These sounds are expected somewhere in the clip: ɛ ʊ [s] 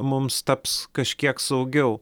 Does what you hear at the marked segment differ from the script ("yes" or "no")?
yes